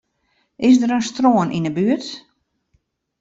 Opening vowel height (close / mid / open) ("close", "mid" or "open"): close